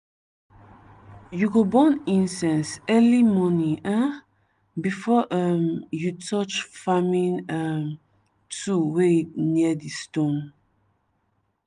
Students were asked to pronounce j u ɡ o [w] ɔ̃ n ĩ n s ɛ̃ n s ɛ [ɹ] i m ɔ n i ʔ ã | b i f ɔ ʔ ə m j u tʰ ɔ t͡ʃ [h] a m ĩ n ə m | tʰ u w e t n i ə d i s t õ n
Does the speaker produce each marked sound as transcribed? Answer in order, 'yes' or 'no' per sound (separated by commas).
no, no, no